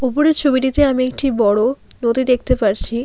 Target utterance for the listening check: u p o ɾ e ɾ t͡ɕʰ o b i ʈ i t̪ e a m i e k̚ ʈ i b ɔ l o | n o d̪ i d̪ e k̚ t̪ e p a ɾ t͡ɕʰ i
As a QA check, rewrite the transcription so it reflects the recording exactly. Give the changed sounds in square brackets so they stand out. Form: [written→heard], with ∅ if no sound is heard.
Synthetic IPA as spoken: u p o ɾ e ɾ t͡ɕʰ o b i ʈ i t̪ e a m i e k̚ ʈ i b ɔ [l→ɽ] o | n o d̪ i d̪ e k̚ t̪ e p a ɾ t͡ɕʰ i